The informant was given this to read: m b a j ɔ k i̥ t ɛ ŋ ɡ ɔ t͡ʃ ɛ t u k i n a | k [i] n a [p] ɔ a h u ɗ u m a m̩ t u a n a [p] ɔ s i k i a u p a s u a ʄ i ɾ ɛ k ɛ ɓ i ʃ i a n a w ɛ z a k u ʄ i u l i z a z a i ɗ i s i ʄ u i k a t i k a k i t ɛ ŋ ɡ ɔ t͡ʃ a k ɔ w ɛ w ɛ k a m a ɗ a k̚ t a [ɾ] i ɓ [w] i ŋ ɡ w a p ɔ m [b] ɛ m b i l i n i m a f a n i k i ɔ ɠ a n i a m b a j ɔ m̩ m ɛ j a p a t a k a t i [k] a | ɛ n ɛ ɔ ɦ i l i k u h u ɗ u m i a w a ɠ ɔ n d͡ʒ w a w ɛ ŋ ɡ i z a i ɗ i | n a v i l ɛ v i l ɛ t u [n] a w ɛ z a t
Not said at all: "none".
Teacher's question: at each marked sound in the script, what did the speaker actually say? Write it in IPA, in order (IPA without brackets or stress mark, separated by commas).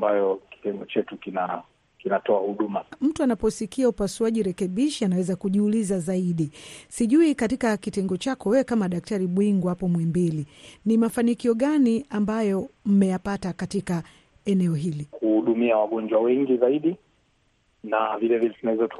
i, t, p, ɾ, w, w, k, n